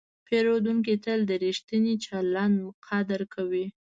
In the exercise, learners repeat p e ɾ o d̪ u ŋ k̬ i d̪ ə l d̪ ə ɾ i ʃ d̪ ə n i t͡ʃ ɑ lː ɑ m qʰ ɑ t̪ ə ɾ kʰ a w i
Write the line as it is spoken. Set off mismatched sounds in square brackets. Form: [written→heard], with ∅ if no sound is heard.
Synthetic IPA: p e ɾ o d̪ u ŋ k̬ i [d̪→t̪] ə l d̪ ə ɾ i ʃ [d̪→t̪] ə n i t͡ʃ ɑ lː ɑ [m→n] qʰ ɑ [t̪→d̪] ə ɾ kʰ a w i